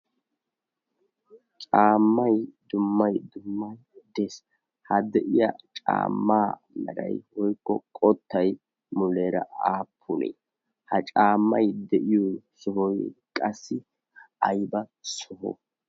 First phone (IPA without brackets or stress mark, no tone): t͡ʃʼ